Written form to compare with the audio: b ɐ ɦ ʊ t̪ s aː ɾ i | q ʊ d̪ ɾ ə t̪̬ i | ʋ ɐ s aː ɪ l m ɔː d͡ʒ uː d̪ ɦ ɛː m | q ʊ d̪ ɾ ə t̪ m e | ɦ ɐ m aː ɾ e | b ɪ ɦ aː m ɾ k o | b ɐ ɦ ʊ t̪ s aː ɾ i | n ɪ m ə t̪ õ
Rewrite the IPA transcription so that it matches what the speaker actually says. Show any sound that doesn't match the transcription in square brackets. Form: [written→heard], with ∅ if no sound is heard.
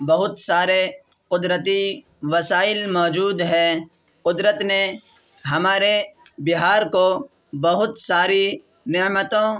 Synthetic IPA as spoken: b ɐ ɦ ʊ t̪ s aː ɾ [i→e] | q ʊ d̪ ɾ ə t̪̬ i | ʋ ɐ s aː ɪ l m ɔː d͡ʒ uː d̪ ɦ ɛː [m→∅] | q ʊ d̪ ɾ ə t̪ [m→n] e | ɦ ɐ m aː ɾ e | b ɪ ɦ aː [m→∅] ɾ k o | b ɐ ɦ ʊ t̪ s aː ɾ i | n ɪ m ə t̪ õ